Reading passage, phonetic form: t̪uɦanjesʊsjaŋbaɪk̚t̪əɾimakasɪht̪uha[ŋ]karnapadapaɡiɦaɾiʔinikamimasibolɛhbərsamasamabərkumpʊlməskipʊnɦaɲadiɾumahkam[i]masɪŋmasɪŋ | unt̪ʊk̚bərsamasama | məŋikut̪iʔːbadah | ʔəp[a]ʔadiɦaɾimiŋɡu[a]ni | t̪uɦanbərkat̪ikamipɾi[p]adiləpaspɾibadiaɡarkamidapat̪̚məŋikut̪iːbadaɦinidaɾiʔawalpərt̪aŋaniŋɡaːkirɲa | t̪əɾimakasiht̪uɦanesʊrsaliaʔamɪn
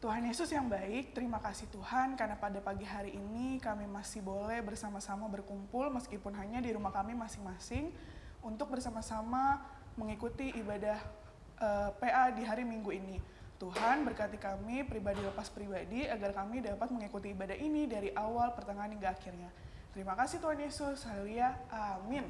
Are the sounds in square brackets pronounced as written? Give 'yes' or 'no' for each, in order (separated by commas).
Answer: no, yes, no, no, no